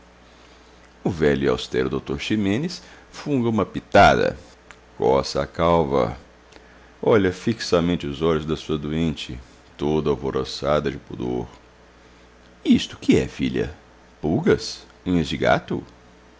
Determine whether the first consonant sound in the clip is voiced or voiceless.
voiced